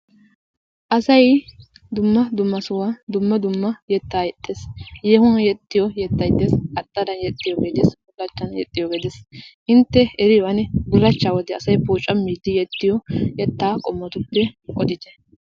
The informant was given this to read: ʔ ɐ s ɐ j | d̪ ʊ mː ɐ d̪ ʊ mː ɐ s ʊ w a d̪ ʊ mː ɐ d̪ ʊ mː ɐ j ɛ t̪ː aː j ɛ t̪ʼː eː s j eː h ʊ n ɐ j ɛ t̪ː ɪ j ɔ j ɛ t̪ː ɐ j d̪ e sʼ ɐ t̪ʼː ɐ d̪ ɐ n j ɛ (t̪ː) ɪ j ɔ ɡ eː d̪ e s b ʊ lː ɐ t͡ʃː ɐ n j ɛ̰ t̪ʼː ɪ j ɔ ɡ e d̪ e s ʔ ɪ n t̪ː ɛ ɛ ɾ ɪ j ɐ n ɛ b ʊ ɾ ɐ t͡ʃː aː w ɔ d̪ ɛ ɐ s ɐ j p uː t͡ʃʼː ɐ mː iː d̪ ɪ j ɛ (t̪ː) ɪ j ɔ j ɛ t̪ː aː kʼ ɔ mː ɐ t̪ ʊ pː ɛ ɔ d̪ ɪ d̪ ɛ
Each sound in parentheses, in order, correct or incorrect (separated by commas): incorrect, correct